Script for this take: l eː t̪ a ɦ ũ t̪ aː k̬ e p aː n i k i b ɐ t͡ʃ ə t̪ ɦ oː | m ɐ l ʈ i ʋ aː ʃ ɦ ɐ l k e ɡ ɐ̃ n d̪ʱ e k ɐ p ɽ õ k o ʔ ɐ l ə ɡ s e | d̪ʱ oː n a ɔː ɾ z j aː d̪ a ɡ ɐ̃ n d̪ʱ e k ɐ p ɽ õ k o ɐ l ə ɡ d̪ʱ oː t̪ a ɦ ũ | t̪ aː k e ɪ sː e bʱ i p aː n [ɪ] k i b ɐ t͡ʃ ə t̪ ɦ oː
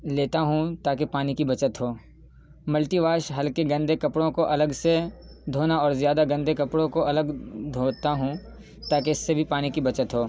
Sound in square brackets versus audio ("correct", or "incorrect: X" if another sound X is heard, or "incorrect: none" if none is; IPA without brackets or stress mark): incorrect: i